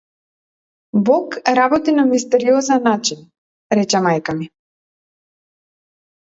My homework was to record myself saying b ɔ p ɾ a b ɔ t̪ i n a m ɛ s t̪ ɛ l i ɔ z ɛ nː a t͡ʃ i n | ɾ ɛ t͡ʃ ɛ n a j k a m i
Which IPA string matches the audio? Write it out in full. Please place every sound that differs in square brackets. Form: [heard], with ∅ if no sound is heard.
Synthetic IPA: b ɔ [k] ɾ a b ɔ t̪ i n a m [i] s t̪ ɛ [ɾ] i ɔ z ɛ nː a t͡ʃ i n | ɾ ɛ t͡ʃ ɛ [m] a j k a m i